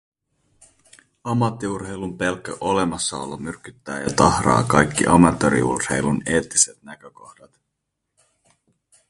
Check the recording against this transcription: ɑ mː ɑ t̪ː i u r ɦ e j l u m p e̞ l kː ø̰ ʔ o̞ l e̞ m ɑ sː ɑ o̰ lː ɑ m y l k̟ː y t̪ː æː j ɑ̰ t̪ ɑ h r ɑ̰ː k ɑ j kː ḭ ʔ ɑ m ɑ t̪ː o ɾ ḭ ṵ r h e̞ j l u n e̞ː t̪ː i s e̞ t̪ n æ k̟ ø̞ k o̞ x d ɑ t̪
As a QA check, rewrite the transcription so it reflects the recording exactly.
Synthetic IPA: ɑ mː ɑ t̪ː i u r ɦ e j l u m p e̞ l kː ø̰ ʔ o̞ l e̞ m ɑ sː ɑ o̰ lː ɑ m y r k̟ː y t̪ː æː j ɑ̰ t̪ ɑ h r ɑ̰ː k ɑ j kː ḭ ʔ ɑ m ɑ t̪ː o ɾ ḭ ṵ r h e̞ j l u n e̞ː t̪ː i s e̞ t̪ n æ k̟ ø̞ k o̞ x d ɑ t̪